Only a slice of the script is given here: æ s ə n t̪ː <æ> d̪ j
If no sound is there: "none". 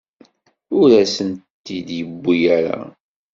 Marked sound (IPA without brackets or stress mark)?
i